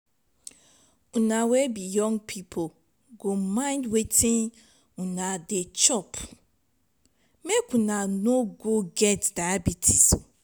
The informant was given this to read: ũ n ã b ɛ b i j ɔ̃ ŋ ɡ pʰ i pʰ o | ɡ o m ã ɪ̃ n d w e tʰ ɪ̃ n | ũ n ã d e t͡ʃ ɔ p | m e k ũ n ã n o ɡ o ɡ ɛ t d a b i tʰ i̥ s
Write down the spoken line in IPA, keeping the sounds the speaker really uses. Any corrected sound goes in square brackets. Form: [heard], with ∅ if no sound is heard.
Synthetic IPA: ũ n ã [w] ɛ b i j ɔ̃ ŋ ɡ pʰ i pʰ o | ɡ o m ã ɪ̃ n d w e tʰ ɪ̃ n | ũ n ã d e t͡ʃ ɔ p | m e k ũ n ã n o ɡ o ɡ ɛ t d a b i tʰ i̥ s